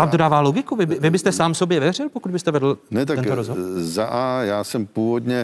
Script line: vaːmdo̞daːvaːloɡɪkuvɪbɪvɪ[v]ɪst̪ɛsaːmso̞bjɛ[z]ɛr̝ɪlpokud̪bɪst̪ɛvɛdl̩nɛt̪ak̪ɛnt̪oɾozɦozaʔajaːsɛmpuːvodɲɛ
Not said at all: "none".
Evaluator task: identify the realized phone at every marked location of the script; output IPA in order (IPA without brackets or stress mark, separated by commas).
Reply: b, v